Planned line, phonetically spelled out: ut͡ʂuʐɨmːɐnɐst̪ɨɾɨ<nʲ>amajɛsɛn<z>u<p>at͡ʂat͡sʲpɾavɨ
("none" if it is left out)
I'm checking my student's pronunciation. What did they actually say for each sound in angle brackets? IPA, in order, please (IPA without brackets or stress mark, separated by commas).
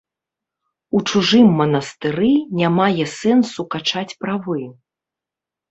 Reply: nʲ, s, k